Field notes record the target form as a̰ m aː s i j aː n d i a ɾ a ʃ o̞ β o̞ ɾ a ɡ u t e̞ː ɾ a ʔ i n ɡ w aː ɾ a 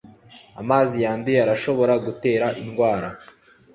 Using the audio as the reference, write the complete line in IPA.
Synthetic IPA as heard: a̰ m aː z i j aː n d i a ɾ a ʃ o̞ β o̞ ɾ a ɡ u t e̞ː ɾ a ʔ i n ɡ w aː ɾ a